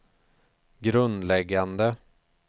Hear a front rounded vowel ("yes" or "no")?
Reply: no